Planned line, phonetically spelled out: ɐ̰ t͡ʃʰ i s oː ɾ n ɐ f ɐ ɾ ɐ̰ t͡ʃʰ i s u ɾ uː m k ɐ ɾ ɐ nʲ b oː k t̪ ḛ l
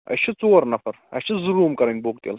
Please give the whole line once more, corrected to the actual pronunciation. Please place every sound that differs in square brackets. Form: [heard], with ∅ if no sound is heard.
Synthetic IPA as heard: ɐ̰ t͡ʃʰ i [t͡s] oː ɾ n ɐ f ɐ ɾ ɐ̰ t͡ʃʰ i [z] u ɾ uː m k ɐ ɾ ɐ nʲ b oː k t̪ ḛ l